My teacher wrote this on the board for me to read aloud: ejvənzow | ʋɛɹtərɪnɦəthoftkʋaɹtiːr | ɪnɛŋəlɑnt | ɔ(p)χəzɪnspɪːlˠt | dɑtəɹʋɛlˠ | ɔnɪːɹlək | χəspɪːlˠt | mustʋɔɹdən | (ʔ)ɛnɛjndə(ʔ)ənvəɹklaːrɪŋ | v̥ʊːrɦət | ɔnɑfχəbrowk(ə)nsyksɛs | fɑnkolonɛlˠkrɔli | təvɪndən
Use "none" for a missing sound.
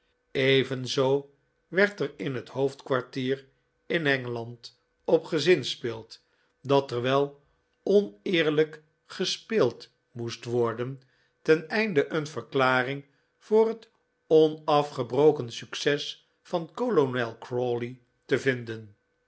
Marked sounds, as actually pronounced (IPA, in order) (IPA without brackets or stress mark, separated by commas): p, t, ʔ, ə